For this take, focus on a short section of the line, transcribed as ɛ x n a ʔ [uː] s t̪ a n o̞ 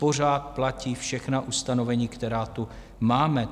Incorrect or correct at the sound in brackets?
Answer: incorrect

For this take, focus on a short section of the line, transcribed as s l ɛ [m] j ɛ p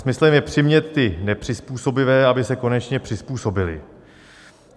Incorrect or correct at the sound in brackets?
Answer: correct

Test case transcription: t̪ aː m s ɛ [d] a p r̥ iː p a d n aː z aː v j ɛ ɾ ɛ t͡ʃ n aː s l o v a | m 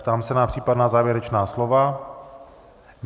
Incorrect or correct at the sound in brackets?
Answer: incorrect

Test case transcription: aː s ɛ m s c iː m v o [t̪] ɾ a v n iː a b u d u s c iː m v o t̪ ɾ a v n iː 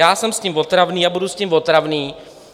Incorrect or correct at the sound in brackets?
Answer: correct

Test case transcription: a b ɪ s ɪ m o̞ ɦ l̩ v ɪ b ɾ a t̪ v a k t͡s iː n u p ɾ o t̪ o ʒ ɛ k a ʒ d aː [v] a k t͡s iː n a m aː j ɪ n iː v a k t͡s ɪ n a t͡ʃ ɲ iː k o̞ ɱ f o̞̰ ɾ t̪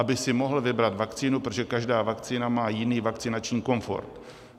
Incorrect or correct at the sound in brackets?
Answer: correct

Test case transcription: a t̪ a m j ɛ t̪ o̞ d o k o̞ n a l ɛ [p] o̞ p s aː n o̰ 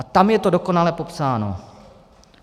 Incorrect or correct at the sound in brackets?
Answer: correct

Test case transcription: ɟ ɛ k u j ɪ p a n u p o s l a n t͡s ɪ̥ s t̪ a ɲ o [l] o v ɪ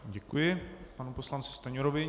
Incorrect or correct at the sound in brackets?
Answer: incorrect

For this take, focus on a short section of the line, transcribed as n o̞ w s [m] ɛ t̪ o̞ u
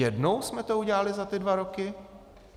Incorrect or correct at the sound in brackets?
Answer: correct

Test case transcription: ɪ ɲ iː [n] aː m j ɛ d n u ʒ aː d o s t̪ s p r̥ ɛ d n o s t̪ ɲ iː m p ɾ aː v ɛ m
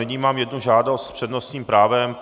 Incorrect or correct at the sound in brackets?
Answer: incorrect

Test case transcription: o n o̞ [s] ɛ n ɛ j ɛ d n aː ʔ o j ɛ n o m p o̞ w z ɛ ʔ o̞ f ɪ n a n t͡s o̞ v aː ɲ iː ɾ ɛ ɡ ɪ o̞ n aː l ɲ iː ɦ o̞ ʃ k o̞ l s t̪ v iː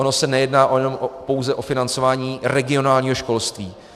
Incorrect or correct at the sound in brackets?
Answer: correct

